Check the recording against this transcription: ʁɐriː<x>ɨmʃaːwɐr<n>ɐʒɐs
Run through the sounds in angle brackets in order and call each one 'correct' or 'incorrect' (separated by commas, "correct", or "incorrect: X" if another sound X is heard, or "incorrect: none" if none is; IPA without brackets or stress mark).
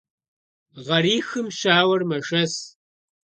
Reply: correct, incorrect: m